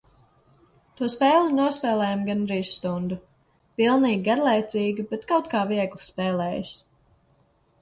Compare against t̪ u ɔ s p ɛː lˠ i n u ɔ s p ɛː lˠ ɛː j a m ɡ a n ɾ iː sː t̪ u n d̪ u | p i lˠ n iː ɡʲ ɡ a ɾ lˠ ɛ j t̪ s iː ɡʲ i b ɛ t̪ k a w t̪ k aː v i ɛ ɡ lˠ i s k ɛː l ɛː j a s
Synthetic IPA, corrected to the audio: t̪ u ɔ s p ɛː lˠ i n u ɔ s p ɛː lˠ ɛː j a m ɡ a n ɾ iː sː t̪ u n d̪ u | p i lˠ n iː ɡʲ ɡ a ɾ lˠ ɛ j t̪ s iː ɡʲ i b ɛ t̪ k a w t̪ k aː v i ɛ ɡ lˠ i s p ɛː l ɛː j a s